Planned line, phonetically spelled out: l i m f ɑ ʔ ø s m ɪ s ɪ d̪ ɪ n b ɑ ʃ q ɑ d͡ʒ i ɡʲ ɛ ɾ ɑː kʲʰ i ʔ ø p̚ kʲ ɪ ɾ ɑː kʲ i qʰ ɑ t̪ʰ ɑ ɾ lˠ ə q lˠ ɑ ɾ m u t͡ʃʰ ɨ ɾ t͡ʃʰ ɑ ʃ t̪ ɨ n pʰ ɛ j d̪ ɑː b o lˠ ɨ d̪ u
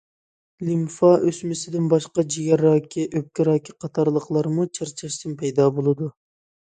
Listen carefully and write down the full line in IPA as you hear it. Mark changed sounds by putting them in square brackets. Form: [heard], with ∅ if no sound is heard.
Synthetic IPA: l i m f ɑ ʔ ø s m ɪ s ɪ d̪ ɪ n b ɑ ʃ q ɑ d͡ʒ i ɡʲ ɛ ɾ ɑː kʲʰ i ʔ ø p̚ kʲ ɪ ɾ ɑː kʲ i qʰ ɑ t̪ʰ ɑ ɾ lˠ ə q lˠ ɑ ɾ m u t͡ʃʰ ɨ ɾ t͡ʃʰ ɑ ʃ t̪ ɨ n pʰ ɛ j d̪ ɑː b o lˠ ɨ d̪ u